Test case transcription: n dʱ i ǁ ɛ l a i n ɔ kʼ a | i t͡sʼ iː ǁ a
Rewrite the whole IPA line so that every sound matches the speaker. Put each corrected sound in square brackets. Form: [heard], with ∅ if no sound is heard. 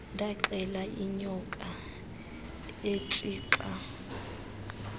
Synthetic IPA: n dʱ [a] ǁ ɛ l a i [ɲ] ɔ kʼ a | [e] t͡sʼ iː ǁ a

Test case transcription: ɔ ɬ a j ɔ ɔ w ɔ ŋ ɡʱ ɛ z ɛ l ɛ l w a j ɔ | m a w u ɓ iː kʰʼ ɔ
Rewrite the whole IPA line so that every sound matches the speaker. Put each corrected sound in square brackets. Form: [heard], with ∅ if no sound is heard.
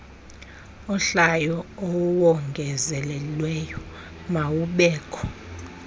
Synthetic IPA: ɔ ɬ a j ɔ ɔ w ɔ ŋ ɡʱ ɛ z ɛ l ɛ l w [ɛ] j ɔ | m a w u ɓ [ɛː] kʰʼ ɔ

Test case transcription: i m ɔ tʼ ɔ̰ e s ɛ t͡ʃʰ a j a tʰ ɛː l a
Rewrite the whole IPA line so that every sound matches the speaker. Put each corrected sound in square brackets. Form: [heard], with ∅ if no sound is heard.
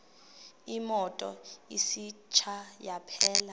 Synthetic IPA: i m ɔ tʼ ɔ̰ [i] s [i] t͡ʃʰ a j a [pʰ] ɛː l a

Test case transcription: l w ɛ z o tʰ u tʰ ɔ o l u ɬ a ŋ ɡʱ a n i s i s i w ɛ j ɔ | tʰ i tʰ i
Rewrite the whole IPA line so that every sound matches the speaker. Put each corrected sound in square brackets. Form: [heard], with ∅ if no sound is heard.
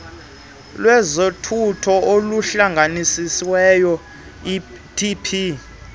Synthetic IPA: l w ɛ z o tʰ u tʰ ɔ o l u ɬ a ŋ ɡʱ a n i s i s i w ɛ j ɔ | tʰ i [pʰ] i

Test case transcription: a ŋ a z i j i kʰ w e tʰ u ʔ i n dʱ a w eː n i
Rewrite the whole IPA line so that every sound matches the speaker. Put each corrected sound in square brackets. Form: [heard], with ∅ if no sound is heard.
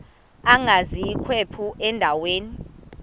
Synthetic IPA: a ŋ a z i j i kʰ w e [pʰ] u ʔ [ɛ] n dʱ a w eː n i

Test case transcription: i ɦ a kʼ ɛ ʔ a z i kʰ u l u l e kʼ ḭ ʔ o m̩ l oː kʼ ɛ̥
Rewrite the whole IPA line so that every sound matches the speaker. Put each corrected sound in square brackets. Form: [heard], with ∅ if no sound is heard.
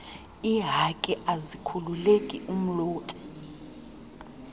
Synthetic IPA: i ɦ a kʼ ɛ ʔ a z i kʰ u l u l e kʼ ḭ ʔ [u] m̩ l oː [tʼ] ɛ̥

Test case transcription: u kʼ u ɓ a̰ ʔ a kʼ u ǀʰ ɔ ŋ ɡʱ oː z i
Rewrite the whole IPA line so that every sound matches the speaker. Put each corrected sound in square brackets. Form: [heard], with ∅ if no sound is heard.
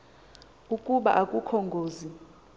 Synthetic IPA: u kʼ u ɓ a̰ ʔ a kʼ u [kʰ] ɔ ŋ ɡʱ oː z i

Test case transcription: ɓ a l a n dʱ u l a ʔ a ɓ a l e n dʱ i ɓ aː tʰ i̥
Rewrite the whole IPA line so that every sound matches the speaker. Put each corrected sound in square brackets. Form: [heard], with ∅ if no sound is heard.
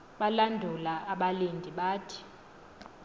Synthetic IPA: ɓ a l a n dʱ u l a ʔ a ɓ a l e n dʱ i ɓ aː tʰ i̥

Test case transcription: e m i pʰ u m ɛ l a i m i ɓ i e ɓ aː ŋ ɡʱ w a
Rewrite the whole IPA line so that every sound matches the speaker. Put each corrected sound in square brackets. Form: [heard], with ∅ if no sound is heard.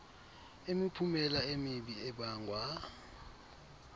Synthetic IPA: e m i pʰ u m ɛ l a [e] m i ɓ i [ɛ] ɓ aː ŋ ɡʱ w a

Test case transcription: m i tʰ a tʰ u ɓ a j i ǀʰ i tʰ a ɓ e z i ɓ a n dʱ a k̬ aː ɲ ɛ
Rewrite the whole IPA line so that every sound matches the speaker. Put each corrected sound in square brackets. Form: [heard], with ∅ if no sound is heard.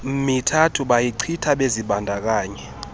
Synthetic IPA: m i tʰ a tʰ u ɓ a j i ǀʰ i tʰ a ɓ e z i ɓ a n dʱ a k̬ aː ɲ ɛ

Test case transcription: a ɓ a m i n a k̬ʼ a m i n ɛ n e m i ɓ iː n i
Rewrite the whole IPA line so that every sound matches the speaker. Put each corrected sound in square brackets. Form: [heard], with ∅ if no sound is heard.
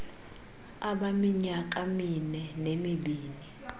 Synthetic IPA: a ɓ a m i [ɲ] a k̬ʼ a m i n ɛ n e m i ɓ iː n i

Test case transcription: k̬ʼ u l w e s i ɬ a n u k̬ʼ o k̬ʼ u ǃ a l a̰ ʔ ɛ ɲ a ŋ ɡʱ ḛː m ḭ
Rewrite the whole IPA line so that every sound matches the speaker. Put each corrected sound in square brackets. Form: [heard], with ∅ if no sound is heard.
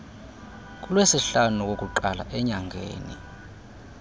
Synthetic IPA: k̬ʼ u l w e s i ɬ a n u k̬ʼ o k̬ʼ u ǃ a l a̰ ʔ ɛ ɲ a ŋ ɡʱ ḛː [n] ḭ

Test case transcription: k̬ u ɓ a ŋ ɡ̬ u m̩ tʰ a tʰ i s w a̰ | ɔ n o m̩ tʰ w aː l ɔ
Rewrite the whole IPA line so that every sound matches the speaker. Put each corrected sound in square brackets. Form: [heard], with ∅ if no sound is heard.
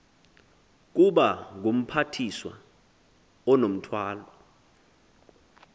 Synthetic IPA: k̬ u ɓ a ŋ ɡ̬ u m̩ [pʰ] a tʰ i s w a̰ | ɔ n o m̩ tʰ w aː l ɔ

